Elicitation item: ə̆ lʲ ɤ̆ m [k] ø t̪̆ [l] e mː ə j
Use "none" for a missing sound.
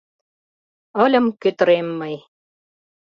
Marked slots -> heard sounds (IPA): k, ɾ

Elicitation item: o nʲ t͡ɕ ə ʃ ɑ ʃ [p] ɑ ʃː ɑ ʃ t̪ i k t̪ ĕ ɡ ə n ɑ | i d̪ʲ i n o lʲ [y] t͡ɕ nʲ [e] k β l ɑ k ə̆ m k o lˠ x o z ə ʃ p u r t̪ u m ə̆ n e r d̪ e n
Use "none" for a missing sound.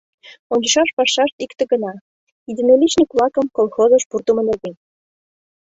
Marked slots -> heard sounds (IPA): p, i, i

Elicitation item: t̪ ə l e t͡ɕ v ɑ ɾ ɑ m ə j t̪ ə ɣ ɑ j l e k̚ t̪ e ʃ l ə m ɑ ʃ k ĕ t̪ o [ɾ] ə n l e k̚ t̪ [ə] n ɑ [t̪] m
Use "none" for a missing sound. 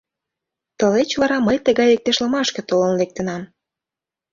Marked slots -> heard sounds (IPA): l, ə, none

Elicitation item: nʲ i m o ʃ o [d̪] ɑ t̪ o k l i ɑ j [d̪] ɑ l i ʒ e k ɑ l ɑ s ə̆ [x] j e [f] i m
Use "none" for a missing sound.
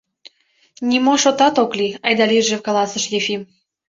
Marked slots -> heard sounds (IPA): t̪, d̪, ʃ, f

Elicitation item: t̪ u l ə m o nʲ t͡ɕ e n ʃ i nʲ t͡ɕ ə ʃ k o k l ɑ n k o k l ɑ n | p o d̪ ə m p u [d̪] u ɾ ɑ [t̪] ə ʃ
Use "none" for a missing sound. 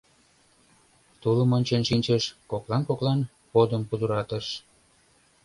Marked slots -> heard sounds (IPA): d̪, t̪

